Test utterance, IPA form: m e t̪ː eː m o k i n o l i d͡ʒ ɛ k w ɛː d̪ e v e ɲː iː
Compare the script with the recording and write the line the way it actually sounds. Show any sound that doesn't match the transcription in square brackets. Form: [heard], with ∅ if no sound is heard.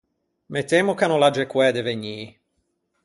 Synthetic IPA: m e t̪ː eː m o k [a] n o l [a] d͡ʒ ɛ k w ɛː d̪ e v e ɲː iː